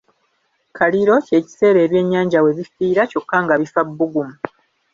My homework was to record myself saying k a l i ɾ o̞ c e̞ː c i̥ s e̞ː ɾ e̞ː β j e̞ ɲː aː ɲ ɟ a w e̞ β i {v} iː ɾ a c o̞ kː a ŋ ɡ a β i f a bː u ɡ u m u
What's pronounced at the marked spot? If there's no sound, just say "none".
f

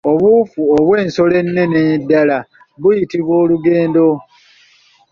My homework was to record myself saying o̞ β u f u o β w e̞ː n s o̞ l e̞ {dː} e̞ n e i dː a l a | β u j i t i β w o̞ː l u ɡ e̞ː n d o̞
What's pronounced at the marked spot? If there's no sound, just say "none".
nː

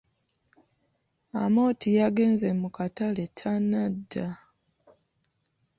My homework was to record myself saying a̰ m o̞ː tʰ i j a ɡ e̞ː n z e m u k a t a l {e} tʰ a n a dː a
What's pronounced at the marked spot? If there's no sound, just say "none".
e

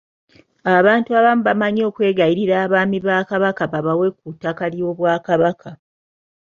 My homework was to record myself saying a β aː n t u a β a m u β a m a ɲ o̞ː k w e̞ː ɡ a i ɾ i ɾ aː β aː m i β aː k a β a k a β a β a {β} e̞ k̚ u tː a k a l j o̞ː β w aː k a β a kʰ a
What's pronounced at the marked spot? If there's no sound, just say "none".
w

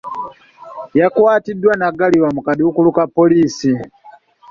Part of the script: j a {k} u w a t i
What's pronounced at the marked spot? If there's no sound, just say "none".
k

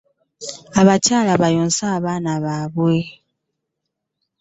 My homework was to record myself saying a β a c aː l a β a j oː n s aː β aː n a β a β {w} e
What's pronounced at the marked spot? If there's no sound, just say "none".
w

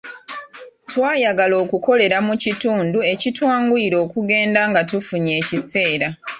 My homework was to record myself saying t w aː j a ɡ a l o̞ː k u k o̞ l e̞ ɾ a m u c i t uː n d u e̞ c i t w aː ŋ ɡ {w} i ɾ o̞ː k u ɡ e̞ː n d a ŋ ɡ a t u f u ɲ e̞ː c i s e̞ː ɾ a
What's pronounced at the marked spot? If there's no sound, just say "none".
u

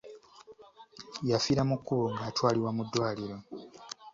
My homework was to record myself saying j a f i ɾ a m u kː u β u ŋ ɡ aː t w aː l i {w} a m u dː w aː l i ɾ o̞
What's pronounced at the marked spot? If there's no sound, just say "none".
w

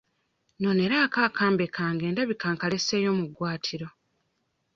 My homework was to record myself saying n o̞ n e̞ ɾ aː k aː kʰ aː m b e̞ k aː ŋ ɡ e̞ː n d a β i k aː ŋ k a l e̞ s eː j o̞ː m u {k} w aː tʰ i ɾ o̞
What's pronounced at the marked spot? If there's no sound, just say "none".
ɡ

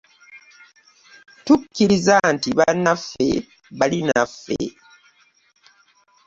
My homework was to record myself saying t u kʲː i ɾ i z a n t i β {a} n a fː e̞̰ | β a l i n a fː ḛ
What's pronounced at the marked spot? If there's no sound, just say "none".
a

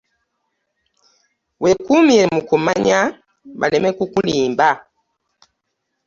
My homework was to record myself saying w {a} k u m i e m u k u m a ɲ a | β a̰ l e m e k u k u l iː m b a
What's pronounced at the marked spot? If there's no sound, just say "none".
e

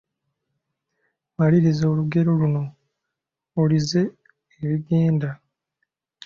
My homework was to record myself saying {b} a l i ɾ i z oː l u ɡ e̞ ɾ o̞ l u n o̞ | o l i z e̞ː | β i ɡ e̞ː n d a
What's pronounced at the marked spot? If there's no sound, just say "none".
m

